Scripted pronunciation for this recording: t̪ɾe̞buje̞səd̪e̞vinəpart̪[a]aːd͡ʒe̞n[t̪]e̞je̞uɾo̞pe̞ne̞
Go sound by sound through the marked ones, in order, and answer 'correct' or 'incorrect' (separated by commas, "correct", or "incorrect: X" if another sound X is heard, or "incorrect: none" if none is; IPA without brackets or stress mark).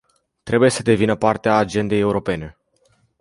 incorrect: e, incorrect: d̪